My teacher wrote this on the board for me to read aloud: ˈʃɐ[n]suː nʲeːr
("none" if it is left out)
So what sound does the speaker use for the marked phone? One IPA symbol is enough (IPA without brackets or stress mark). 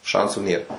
n